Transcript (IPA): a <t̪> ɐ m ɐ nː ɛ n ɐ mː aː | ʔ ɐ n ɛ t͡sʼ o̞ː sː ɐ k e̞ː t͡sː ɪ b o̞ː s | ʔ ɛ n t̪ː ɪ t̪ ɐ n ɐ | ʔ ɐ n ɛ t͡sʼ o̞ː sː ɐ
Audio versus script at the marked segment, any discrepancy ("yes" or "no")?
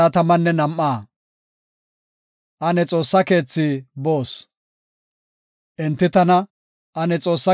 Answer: no